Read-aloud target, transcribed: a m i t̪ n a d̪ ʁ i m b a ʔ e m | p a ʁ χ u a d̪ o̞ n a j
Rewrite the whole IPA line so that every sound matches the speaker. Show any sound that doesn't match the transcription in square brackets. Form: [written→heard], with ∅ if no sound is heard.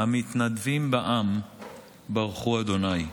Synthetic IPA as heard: a m i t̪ n a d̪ [ʁ→v] i m b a ʔ [e→a] m | [p→b] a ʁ χ u a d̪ o̞ n a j